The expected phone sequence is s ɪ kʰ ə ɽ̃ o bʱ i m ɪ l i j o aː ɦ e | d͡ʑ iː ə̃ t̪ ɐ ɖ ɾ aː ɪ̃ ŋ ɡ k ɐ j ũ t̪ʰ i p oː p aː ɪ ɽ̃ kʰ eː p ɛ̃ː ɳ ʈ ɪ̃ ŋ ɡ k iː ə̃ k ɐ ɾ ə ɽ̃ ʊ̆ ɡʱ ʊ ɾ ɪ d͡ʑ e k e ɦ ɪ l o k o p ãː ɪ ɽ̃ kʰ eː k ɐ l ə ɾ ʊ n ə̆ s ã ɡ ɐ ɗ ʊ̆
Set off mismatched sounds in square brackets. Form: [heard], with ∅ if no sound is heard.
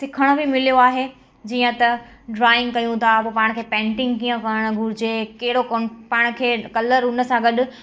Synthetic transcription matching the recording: s ɪ kʰ ə ɽ̃ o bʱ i m ɪ l i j o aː ɦ e | d͡ʑ iː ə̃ t̪ ɐ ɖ ɾ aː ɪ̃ ŋ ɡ k ɐ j ũ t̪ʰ [a] p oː p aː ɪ ɽ̃ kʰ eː p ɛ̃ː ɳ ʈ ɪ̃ ŋ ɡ k iː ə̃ k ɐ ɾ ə ɽ̃ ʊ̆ ɡʱ ʊ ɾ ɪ d͡ʑ e k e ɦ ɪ [ɽ] o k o p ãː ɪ ɽ̃ kʰ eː k ɐ l ə ɾ ʊ n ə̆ s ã ɡ ɐ ɗ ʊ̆